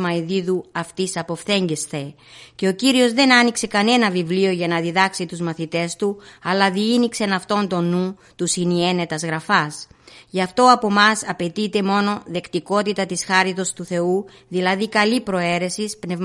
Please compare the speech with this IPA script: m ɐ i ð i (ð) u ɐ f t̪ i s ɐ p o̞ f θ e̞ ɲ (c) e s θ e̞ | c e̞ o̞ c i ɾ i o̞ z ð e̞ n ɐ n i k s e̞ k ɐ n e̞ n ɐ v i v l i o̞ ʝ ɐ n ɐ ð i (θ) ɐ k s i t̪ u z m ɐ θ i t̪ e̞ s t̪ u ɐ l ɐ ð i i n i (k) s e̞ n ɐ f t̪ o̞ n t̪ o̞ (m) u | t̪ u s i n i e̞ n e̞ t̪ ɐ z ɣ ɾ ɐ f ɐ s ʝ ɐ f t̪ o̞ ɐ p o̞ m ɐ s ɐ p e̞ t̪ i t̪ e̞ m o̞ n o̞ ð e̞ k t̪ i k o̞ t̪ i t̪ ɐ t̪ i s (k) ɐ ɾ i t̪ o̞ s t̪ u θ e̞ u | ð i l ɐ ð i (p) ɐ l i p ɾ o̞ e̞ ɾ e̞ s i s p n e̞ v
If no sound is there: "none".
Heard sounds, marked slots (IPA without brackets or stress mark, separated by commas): ð, ɟ, ð, k, n, x, k